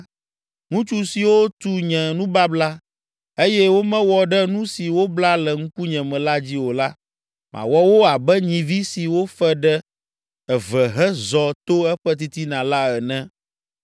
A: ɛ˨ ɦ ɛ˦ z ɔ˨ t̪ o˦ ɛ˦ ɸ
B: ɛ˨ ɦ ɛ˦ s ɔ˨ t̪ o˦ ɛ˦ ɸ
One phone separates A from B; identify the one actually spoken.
A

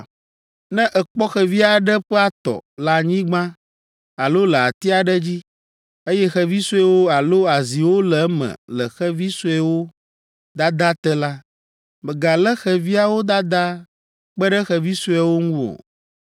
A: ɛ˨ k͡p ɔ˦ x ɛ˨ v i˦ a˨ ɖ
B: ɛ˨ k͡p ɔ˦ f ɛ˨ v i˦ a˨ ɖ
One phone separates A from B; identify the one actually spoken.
A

